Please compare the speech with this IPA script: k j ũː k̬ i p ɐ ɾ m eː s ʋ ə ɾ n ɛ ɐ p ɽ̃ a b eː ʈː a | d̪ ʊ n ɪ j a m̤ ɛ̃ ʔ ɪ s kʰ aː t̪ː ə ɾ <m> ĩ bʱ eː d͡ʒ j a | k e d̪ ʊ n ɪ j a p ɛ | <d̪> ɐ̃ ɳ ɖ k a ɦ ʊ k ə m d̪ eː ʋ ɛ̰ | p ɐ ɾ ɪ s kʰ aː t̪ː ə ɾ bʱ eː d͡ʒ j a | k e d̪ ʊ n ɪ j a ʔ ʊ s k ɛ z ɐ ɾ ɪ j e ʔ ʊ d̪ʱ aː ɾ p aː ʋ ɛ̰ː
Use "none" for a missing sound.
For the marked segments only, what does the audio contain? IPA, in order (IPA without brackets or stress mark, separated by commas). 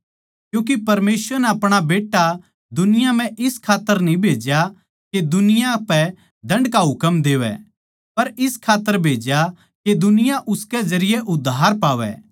n, d̪